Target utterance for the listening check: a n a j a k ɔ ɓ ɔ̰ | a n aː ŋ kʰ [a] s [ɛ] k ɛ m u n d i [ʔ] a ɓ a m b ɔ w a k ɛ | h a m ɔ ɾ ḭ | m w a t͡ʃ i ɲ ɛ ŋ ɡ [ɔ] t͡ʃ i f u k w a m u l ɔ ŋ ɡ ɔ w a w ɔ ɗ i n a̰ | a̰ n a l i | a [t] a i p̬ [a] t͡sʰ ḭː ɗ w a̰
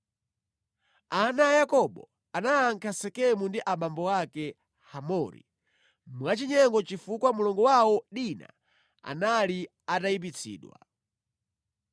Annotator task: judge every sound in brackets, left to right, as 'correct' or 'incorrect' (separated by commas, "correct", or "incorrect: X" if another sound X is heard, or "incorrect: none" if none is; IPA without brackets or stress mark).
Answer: correct, correct, correct, correct, correct, incorrect: i